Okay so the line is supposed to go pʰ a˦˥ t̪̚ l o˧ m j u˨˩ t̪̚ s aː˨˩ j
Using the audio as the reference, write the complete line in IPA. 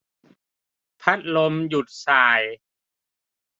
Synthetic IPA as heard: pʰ a˦˥ t̪̚ l o˧ m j u˨˩ t̪̚ s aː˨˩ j